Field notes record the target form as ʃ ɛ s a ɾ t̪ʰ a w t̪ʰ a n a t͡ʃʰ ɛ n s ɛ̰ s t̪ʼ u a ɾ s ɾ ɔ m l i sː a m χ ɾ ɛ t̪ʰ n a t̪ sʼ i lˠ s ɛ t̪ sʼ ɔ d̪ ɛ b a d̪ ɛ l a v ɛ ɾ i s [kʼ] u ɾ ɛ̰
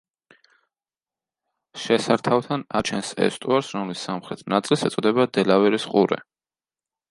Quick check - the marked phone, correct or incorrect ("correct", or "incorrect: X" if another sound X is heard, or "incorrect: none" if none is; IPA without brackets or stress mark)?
incorrect: qʼ